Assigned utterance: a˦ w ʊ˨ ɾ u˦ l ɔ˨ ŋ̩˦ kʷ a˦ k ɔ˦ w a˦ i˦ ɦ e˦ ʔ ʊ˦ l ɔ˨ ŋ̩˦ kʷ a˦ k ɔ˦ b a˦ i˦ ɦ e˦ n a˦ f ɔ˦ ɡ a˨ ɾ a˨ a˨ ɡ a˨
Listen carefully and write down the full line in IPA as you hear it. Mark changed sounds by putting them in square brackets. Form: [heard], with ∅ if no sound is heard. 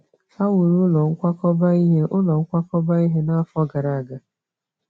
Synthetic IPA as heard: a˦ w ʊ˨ ɾ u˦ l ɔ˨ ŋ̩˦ kʷ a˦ k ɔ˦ [b] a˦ i˦ ɦ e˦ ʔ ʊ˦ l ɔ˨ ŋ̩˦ kʷ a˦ k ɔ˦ b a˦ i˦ ɦ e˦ n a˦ f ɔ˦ ɡ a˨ ɾ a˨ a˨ ɡ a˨